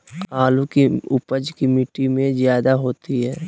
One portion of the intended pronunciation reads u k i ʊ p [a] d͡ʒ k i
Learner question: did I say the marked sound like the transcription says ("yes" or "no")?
no